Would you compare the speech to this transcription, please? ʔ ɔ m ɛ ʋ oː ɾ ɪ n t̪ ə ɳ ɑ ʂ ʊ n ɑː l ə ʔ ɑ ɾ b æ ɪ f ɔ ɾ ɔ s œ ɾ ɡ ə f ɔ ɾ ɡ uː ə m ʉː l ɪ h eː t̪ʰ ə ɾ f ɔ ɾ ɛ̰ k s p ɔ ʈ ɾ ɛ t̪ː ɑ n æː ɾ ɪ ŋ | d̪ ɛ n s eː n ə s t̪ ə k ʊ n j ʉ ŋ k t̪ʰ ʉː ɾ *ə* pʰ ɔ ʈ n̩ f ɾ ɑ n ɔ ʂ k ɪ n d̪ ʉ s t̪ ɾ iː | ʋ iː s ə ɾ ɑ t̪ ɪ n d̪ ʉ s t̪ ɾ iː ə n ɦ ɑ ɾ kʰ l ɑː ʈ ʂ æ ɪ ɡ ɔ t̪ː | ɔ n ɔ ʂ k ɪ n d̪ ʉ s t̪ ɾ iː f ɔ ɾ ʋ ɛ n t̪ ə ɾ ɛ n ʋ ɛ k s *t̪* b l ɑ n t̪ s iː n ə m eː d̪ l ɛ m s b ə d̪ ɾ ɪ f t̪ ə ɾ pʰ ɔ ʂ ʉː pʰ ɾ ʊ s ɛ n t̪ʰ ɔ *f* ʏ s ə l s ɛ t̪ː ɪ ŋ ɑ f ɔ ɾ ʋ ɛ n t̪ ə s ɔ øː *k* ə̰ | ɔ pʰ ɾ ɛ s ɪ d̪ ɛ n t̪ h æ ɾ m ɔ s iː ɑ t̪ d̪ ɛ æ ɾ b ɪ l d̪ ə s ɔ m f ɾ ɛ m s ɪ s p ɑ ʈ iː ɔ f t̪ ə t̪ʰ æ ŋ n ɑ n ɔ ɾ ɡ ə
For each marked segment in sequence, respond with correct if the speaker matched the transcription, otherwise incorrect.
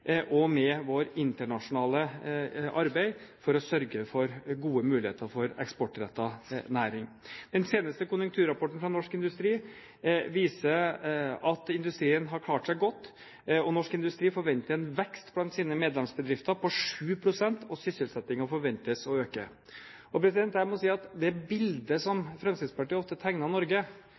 incorrect, correct, incorrect, correct

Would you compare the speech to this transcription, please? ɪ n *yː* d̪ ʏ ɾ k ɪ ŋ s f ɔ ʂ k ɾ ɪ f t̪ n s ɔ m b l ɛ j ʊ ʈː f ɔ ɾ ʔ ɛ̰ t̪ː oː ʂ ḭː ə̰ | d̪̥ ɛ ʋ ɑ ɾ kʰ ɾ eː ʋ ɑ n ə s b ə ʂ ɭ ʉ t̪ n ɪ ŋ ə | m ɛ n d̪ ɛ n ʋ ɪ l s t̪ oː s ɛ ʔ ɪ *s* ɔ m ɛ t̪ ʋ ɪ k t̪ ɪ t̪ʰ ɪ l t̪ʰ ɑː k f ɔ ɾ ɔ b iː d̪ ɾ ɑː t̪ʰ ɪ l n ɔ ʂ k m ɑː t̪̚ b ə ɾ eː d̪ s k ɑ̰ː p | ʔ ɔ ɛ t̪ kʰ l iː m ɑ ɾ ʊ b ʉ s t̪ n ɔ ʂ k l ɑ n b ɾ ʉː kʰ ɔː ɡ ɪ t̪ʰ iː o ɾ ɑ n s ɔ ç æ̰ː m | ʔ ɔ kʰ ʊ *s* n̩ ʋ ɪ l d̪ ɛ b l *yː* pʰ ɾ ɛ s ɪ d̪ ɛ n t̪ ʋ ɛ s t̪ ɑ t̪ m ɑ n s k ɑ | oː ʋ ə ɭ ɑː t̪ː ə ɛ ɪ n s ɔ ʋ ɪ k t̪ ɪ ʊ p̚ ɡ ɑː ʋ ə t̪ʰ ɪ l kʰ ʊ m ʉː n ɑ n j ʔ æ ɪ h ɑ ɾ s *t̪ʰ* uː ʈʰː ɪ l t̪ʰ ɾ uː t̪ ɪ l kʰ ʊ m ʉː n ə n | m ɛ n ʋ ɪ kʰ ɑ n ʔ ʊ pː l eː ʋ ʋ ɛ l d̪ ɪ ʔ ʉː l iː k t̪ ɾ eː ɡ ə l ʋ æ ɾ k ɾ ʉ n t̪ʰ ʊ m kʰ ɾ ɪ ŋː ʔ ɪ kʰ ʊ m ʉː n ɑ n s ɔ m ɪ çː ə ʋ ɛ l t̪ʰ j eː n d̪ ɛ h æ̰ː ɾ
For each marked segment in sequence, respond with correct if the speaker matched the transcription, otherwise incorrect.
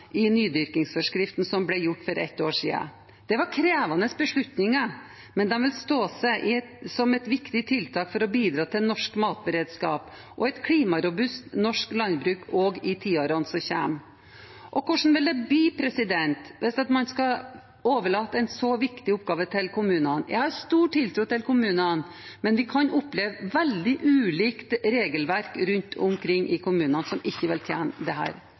correct, correct, incorrect, incorrect, incorrect

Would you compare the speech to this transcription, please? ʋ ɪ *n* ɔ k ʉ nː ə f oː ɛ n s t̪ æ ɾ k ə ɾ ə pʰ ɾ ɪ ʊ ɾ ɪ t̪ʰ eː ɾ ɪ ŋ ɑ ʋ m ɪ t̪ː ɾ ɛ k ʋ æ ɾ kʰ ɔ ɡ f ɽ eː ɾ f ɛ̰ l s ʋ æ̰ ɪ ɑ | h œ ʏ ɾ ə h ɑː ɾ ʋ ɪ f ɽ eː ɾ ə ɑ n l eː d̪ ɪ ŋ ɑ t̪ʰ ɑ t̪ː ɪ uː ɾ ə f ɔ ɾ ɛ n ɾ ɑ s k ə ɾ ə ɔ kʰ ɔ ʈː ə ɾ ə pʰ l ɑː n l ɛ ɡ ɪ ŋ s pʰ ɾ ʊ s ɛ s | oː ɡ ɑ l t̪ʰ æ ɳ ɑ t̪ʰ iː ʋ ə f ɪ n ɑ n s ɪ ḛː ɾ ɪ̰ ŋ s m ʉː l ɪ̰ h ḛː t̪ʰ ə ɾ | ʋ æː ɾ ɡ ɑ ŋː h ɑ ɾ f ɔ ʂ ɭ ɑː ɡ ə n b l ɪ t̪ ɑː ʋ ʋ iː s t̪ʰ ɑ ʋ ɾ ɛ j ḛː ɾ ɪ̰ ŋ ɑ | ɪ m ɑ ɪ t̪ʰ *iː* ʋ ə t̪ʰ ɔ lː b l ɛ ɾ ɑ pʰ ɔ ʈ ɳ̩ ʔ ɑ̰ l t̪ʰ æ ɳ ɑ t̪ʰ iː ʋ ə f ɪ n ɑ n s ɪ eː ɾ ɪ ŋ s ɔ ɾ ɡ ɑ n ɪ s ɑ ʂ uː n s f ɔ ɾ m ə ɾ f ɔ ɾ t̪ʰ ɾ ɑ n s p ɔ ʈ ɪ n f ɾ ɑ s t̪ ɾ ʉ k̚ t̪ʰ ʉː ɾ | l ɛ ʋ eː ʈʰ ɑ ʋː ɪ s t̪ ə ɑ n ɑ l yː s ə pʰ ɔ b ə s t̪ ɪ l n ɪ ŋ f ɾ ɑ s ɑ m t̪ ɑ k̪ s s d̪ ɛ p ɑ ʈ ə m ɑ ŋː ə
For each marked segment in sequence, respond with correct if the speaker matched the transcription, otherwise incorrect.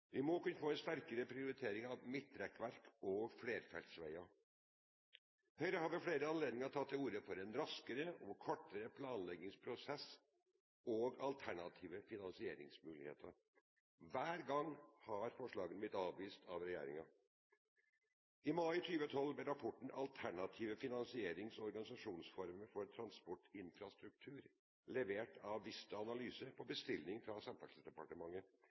incorrect, incorrect

